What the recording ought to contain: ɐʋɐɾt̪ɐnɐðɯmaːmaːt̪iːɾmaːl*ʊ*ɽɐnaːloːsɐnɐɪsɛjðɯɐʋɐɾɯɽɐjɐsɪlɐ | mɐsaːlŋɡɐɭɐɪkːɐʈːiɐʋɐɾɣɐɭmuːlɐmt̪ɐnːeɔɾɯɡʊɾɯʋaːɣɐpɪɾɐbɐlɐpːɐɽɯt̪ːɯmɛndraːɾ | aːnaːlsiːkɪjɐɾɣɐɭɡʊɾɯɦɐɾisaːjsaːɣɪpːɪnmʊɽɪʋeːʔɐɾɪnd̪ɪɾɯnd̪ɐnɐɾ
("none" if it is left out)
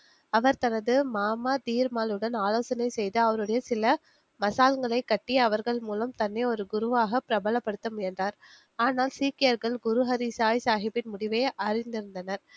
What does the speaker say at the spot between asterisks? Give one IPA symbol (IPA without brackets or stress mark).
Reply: ɯ